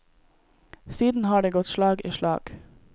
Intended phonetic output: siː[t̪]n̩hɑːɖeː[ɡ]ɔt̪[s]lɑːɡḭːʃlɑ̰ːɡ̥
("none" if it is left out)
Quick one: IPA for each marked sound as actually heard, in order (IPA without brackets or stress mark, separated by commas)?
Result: d̪, ɡ, ʃ